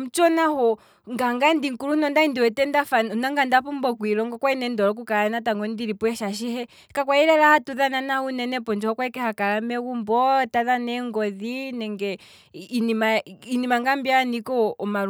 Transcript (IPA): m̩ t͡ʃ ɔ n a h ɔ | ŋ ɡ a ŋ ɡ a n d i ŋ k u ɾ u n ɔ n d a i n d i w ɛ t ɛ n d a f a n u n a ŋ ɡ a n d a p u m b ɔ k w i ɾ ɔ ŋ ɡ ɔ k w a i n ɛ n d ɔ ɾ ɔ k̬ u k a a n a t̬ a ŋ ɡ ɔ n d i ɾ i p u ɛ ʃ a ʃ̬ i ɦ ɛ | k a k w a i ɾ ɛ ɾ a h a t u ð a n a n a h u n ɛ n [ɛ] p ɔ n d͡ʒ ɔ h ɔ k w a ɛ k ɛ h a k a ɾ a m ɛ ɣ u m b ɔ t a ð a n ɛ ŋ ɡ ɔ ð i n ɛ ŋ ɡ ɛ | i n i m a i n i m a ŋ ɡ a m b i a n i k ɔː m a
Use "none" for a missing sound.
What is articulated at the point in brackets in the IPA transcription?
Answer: ɛ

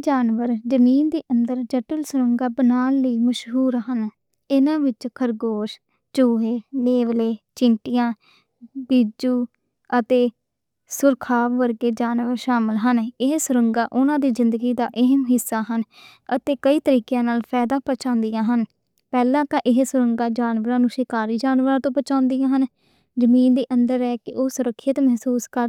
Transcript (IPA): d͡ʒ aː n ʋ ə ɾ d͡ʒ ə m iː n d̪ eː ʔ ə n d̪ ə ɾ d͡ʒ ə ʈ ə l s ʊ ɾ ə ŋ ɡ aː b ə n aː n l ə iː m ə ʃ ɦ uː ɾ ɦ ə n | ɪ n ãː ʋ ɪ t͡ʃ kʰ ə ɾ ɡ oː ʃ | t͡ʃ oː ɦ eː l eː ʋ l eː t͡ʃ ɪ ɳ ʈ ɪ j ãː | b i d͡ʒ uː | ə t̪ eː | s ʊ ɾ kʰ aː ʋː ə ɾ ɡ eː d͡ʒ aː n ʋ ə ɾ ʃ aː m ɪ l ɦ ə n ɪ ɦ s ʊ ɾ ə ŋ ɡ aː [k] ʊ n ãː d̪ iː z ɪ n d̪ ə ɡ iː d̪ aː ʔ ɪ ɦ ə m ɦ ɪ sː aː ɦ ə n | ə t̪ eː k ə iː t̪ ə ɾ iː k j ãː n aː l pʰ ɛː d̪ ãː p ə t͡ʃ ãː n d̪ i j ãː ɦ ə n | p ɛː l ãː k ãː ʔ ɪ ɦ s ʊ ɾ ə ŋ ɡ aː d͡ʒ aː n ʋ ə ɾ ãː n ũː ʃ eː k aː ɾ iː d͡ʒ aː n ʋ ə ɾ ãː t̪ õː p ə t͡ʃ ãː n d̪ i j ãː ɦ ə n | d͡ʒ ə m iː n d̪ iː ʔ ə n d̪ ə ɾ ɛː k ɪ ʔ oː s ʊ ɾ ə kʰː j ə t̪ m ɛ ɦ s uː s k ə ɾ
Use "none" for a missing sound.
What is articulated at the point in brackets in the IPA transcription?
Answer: ʔ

